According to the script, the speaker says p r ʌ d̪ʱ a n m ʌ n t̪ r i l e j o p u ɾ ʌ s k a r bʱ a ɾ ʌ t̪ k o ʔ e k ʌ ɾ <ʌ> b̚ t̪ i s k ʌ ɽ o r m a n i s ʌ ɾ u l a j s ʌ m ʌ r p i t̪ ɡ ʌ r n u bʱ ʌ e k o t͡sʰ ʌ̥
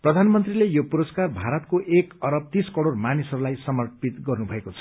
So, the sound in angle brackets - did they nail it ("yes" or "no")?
yes